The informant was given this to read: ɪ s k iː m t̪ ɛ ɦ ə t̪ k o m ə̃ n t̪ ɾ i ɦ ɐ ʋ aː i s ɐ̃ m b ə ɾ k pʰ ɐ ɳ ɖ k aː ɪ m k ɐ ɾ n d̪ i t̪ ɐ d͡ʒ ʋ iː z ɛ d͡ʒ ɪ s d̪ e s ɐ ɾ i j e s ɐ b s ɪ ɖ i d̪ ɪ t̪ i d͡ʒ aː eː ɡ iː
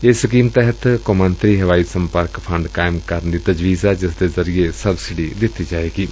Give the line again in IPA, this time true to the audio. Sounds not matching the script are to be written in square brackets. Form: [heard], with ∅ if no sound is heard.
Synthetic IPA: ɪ s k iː m t̪ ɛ ɦ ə t̪ k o m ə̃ n t̪ ɾ i ɦ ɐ ʋ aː i s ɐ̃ m [p] ə ɾ k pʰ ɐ ɳ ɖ k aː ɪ m k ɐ ɾ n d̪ i t̪ ɐ d͡ʒ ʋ iː z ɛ d͡ʒ ɪ s d̪ e [z] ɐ ɾ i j e s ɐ b s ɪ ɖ i d̪ ɪ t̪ i d͡ʒ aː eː ɡ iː